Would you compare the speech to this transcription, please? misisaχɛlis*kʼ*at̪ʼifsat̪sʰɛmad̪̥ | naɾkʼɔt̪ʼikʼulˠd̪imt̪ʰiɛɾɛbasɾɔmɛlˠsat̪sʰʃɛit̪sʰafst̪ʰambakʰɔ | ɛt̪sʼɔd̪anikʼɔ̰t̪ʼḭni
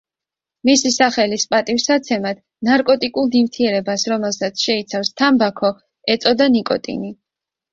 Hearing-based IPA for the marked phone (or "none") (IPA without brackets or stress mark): pʼ